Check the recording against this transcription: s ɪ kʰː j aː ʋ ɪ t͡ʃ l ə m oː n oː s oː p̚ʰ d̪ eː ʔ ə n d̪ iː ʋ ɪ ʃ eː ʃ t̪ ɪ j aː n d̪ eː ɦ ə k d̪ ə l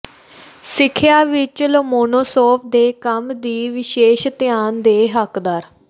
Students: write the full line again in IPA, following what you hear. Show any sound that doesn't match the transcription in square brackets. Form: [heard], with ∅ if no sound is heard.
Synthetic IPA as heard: s ɪ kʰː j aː ʋ ɪ t͡ʃ l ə m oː n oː s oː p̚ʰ d̪ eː [k] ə [m] d̪ iː ʋ ɪ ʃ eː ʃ t̪ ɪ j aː n d̪ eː ɦ ə k d̪ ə [ɾ]